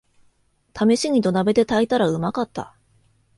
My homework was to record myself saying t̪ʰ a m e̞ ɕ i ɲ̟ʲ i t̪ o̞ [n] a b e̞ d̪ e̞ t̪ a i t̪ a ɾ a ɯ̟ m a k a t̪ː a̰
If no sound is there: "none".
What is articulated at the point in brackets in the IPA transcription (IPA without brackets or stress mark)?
n